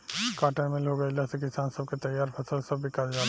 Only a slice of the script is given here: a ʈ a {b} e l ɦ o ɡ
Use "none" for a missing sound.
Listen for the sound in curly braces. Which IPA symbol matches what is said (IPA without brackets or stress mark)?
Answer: m